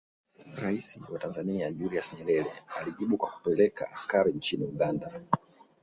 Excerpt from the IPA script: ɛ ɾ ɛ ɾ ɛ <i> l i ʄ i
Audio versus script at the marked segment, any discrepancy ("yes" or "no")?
yes